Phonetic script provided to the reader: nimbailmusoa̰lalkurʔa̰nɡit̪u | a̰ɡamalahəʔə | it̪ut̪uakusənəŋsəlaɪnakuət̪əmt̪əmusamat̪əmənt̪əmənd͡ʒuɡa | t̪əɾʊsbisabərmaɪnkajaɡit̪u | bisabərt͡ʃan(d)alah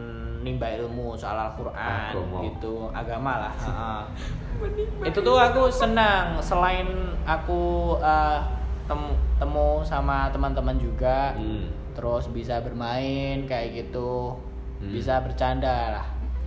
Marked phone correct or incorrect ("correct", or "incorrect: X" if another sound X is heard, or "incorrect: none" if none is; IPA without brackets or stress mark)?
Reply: correct